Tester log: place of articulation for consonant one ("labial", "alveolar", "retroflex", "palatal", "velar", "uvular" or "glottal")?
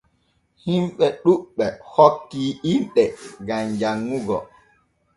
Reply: glottal